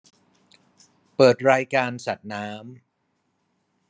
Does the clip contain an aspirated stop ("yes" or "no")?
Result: no